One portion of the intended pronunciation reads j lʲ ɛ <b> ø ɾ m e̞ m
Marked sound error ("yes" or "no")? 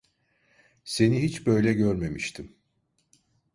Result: yes